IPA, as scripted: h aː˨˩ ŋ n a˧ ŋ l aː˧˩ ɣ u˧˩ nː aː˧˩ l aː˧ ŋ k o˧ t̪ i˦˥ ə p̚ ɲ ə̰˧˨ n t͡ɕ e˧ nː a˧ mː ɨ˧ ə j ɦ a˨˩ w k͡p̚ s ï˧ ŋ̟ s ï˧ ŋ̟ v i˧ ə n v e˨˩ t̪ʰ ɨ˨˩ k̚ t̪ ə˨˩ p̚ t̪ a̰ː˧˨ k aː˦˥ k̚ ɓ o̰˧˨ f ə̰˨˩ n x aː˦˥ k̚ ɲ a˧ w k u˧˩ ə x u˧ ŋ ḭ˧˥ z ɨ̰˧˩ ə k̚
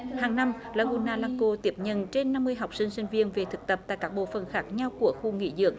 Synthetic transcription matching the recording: h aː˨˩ ŋ n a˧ m l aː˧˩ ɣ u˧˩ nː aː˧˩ l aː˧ ŋ k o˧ t̪ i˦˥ ə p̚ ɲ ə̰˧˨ n t͡ɕ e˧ nː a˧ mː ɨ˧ ə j ɦ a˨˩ w k͡p̚ s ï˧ ŋ̟ s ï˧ ŋ̟ v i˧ ə n v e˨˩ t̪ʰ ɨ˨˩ k̚ t̪ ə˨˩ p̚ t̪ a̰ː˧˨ k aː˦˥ k̚ ɓ o̰˧˨ f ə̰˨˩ n x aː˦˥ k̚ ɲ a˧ w k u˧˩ ə x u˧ ŋ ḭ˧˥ z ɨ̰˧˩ ə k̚

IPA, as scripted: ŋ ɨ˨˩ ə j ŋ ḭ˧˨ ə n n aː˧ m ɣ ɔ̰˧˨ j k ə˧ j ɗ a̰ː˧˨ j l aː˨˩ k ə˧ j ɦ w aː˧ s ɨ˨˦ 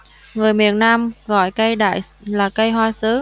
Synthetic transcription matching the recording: ŋ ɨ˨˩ ə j m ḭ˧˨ ə n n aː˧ m ɣ ɔ̰˧˨ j k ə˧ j ɗ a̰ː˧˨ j l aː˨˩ k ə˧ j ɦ w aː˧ s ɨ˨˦

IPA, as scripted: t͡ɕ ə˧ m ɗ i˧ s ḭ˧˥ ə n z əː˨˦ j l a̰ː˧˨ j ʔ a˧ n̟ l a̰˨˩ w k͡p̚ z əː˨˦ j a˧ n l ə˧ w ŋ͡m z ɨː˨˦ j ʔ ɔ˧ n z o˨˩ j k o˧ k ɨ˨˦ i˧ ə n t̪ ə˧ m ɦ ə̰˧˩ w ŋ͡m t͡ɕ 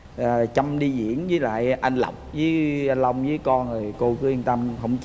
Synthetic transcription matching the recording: t͡ɕ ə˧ m ɗ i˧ z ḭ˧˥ ə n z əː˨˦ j l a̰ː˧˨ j ʔ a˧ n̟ l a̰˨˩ w k͡p̚ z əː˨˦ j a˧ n l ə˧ w ŋ͡m z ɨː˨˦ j k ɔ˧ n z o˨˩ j k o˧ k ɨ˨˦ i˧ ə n t̪ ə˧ m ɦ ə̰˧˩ w ŋ͡m t͡ɕ

